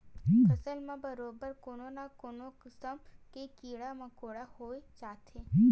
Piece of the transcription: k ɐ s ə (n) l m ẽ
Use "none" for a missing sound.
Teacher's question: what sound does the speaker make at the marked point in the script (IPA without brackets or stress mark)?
none